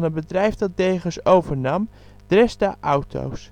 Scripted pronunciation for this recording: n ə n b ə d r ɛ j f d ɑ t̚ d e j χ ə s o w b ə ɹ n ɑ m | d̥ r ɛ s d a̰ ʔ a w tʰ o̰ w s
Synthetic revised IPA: n ə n b ə d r ɛ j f d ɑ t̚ d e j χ ə s o w v ə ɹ n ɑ m | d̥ r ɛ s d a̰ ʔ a w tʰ o̰ w s